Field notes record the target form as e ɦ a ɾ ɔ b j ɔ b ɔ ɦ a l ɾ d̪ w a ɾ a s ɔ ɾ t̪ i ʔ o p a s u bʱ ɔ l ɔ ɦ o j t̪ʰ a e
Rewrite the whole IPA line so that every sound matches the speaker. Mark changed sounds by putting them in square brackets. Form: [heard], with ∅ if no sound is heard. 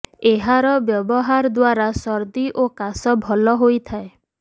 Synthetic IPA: e ɦ a ɾ ɔ b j ɔ b ɔ ɦ a [∅] ɾ d̪ w a ɾ a s ɔ ɾ [d̪] i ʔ o [k] a s [ɔ] bʱ ɔ l ɔ ɦ o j t̪ʰ a e